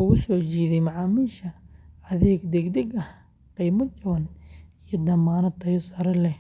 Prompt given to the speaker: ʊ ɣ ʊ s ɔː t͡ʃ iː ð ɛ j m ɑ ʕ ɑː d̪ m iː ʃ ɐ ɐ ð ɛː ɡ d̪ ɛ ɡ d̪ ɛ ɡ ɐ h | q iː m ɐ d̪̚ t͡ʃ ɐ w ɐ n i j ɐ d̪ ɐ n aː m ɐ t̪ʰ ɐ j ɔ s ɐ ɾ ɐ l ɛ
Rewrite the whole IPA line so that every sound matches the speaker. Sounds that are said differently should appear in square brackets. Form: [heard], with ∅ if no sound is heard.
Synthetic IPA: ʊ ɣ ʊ s ɔː t͡ʃ iː ð ɛ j m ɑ ʕ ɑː [∅] m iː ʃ ɐ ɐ ð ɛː ɡ d̪ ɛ ɡ d̪ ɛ ɡ ɐ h | q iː m ɐ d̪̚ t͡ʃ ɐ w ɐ n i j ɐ d̪ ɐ [m] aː [n] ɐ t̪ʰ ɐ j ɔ s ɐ ɾ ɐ l ɛ